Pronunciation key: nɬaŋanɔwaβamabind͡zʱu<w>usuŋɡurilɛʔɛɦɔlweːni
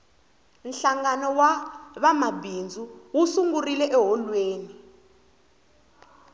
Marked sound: correct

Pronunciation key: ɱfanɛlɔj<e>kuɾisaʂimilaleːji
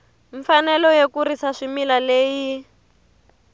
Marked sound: correct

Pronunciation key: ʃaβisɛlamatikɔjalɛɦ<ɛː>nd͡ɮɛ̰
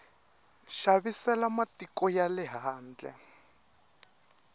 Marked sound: incorrect: aː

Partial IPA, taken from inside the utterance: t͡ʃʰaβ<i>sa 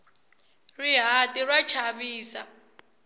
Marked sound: incorrect: iː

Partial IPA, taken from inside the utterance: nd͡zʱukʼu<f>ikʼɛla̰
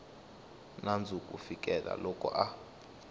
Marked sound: correct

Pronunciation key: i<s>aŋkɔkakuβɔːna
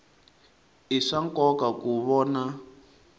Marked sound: incorrect: ʂ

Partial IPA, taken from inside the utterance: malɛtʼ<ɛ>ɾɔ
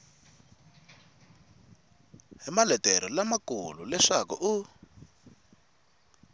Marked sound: correct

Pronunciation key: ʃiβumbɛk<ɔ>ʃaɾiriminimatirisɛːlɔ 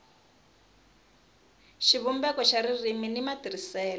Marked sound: correct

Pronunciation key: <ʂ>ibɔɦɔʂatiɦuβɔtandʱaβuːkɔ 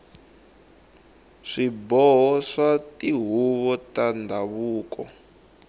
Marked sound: correct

